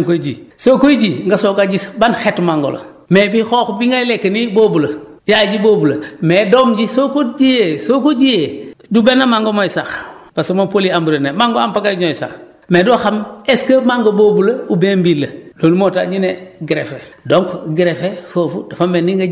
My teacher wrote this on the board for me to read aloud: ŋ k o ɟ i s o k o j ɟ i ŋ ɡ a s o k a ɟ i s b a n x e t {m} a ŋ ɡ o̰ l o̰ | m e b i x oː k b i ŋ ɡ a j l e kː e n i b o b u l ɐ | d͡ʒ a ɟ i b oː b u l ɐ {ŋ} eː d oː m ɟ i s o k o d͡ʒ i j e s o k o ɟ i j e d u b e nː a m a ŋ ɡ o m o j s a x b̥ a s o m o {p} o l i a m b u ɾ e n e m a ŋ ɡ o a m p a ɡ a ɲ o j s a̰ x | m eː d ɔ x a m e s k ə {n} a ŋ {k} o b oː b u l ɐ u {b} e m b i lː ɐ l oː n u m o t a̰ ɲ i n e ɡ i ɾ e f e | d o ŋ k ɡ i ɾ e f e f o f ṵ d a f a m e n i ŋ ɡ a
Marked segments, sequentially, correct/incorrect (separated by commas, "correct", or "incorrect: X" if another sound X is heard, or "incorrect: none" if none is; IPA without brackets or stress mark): correct, incorrect: m, correct, incorrect: m, incorrect: ɡ, correct